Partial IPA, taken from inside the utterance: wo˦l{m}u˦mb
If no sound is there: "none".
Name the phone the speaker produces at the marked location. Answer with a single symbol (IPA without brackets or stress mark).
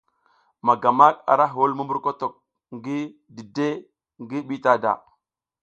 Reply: m